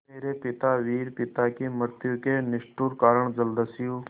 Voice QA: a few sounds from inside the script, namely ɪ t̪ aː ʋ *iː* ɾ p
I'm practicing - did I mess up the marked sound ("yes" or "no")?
no